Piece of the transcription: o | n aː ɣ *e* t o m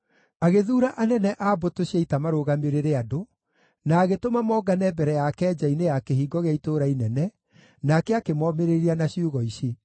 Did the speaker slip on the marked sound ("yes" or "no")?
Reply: no